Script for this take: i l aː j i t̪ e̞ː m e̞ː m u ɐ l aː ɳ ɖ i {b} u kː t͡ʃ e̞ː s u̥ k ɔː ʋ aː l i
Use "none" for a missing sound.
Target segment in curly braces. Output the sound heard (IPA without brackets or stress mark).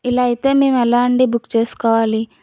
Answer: b